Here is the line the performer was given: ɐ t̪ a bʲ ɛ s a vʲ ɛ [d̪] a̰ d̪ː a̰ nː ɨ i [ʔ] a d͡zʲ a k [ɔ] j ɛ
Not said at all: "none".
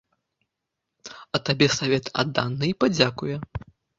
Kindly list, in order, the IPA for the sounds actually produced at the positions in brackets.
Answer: t̪, p, u

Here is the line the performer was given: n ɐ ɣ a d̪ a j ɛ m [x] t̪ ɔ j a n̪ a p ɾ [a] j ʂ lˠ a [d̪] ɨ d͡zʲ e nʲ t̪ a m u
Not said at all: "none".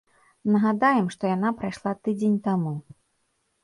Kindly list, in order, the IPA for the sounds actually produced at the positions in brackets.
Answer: ʂ, a, t̪

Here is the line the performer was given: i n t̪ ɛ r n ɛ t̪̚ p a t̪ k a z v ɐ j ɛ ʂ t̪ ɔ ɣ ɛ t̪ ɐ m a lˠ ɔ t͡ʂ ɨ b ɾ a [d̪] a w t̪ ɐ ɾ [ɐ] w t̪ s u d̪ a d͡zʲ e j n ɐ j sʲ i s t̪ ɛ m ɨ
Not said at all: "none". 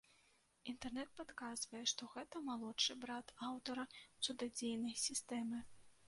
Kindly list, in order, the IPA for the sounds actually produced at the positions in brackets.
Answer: t̪, ɐ

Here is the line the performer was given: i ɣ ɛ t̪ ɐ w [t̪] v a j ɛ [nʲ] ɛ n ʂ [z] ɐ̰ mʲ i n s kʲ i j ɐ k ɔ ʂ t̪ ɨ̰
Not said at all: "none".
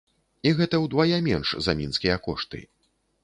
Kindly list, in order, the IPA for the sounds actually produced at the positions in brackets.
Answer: d̪, mʲ, z

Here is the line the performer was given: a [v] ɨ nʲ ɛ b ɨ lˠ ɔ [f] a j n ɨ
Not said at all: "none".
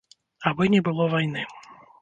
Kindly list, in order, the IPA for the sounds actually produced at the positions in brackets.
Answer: b, v

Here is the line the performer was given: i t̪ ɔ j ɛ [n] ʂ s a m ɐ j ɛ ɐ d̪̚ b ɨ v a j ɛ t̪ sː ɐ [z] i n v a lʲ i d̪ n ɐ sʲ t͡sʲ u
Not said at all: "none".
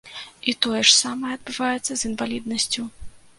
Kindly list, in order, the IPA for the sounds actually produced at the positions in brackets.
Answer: none, z

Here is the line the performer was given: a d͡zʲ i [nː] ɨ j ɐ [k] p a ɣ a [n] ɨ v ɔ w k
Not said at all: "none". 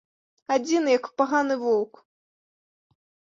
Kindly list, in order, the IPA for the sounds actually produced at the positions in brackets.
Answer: n, k, n

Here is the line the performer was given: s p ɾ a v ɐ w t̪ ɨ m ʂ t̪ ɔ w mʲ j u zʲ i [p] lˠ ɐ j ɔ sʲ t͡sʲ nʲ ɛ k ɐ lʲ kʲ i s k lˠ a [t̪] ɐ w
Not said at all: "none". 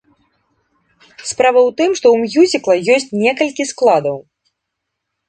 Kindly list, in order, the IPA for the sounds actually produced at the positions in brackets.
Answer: k, d̪

